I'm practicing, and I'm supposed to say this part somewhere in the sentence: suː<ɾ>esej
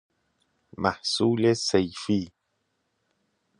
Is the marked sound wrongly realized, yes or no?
yes